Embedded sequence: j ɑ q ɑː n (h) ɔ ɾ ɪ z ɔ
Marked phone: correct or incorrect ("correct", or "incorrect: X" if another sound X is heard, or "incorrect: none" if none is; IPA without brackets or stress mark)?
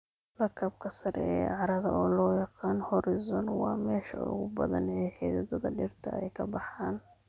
correct